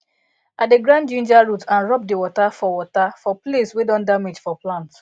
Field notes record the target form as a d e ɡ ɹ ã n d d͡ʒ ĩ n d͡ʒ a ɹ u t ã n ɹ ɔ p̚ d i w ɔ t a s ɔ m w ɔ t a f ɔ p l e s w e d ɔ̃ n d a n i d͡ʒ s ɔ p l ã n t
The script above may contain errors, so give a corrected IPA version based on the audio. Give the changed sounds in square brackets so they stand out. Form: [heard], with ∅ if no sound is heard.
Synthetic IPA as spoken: a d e ɡ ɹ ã n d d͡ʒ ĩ n d͡ʒ a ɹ u t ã n ɹ ɔ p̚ d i w ɔ t a [f] ɔ [∅] w ɔ t a f ɔ p l e s w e d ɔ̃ n d a [m] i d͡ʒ [f] ɔ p l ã n t